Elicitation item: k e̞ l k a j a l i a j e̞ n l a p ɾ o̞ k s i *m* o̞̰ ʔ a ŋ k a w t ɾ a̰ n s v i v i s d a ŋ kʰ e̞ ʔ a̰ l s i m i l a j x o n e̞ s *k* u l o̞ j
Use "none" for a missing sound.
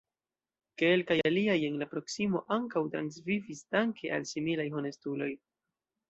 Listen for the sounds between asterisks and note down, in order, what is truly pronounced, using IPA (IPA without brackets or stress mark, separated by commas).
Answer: m, t